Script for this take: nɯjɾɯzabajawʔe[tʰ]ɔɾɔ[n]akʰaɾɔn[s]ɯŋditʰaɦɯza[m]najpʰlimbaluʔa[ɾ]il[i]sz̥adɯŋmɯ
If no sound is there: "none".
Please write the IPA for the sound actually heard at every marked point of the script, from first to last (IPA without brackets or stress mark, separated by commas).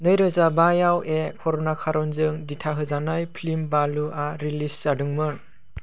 kʰ, n, z, none, ɾ, i